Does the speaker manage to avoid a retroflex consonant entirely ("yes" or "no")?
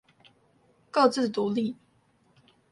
yes